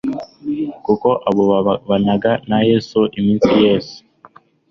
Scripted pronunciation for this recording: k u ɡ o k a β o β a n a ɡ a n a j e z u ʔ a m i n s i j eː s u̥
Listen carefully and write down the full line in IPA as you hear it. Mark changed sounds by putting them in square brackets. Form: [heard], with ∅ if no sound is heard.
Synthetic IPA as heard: k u [k] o [ʔ] a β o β a n a ɡ a n a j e [s] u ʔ [i] m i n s i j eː s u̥